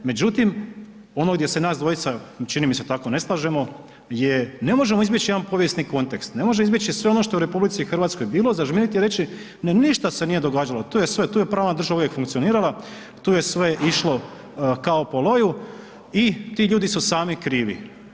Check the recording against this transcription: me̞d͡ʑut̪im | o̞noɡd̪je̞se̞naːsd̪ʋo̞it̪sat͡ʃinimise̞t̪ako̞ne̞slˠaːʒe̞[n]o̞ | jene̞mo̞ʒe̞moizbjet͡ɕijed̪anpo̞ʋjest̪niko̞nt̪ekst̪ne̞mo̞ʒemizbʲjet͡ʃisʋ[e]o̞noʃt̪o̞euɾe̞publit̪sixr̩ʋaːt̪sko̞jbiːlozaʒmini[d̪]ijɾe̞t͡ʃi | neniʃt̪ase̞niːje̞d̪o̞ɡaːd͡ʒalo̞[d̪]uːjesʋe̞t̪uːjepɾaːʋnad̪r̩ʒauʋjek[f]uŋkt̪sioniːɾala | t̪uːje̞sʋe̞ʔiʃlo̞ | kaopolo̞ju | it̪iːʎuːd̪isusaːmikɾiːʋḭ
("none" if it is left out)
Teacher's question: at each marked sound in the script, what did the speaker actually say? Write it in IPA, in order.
m, e, t̪, t̪, f

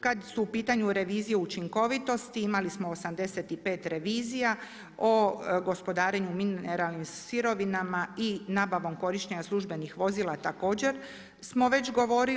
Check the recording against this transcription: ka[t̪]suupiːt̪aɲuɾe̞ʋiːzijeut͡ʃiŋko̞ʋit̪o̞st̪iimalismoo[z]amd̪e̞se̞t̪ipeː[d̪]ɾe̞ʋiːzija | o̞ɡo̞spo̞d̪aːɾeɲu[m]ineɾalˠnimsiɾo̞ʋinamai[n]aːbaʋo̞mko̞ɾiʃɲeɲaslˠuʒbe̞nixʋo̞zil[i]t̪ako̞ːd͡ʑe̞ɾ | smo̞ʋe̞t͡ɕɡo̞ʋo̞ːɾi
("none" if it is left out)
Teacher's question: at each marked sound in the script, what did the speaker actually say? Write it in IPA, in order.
d̪, s, t̪, m, n, a

